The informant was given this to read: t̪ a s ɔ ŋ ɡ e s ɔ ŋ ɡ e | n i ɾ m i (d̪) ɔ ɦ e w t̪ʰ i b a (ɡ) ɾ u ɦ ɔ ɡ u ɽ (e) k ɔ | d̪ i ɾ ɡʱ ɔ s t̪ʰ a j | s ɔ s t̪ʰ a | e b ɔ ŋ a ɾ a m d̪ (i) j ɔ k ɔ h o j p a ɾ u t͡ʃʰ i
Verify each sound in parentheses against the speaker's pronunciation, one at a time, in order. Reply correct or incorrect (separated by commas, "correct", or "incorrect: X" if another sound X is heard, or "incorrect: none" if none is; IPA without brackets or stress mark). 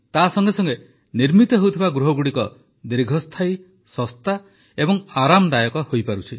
incorrect: t̪, correct, incorrect: i, incorrect: a